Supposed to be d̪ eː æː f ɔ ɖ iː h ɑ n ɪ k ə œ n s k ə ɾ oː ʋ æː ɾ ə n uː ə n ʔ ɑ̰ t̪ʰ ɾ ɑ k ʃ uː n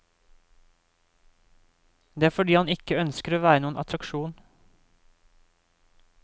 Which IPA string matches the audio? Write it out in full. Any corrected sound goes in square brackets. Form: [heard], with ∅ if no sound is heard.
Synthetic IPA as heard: d̪ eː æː f ɔ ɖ iː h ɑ n ɪ k ə œ n s k ə ɾ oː ʋ æː ɾ ə n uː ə n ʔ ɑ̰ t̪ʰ ɾ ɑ k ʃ uː n